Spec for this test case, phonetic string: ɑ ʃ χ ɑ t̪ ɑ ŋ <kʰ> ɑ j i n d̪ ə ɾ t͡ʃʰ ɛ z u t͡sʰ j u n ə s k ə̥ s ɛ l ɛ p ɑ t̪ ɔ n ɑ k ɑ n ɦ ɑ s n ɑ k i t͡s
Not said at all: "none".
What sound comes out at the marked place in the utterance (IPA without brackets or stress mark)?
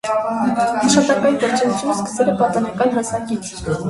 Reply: k